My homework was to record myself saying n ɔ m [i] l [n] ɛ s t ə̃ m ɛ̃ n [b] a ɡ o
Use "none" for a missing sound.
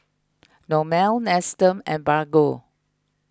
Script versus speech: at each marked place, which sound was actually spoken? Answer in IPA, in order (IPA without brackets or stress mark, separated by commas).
ɛ, n, b